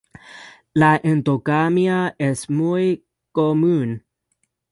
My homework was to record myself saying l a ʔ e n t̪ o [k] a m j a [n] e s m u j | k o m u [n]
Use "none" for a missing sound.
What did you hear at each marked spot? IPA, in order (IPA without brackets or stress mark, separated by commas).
k, none, n